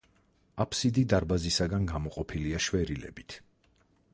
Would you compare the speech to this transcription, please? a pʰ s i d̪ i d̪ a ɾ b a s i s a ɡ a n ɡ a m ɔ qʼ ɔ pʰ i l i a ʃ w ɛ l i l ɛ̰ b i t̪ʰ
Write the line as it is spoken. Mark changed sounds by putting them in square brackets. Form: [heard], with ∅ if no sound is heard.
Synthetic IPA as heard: a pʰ s i d̪ i d̪ a ɾ b a [z] i s a ɡ a n ɡ a m ɔ qʼ ɔ pʰ i l i a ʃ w ɛ [ɾ] i l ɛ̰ b i t̪ʰ